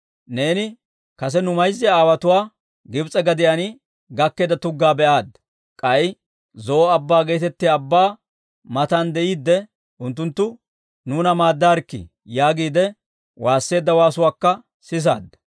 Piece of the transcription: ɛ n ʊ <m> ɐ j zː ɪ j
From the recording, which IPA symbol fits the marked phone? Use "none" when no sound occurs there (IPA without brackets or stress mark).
m